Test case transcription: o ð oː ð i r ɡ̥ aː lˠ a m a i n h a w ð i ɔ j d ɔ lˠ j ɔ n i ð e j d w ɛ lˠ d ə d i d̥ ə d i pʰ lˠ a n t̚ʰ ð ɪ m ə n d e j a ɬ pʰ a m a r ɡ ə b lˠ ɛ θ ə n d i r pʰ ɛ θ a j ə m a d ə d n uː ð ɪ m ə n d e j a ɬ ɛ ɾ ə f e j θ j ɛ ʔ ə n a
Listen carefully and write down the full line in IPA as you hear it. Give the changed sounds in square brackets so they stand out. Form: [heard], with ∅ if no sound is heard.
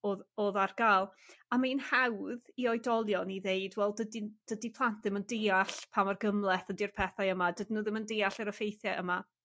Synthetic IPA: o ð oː ð [a] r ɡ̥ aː lˠ a m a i n h a w ð i ɔ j d ɔ lˠ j ɔ n i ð e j d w ɛ lˠ d ə d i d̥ ə d i pʰ lˠ a n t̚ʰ ð ɪ m ə n d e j a ɬ pʰ a m a r ɡ ə [m] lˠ ɛ θ ə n d i r pʰ ɛ θ a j ə m a d ə d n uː ð ɪ m ə n d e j a ɬ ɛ ɾ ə f e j θ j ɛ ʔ ə [m] a